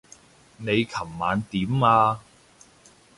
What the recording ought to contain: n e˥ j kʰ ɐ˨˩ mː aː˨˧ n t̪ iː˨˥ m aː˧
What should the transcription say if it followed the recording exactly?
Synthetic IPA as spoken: n e˨˧ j kʰ ɐ˨˩ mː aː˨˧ n t̪ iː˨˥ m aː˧